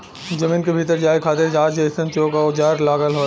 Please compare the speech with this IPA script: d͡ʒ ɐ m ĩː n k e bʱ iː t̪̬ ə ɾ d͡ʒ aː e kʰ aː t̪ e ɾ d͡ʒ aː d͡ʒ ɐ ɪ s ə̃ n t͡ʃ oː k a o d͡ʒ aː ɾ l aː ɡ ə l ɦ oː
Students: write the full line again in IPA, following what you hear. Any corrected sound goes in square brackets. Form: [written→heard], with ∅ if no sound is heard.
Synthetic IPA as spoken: d͡ʒ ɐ m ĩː n k e bʱ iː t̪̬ ə ɾ d͡ʒ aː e kʰ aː t̪ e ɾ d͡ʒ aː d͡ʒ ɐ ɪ s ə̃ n t͡ʃ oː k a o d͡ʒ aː ɾ l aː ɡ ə l ɦ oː